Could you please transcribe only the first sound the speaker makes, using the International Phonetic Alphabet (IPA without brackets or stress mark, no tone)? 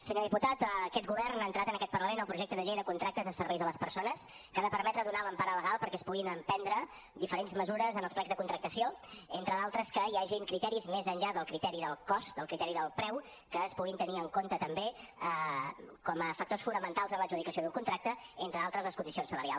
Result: s